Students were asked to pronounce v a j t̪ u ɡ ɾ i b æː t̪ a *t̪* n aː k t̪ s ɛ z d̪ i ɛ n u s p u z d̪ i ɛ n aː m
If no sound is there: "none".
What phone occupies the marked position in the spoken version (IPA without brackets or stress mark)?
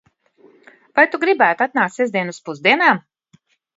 t̪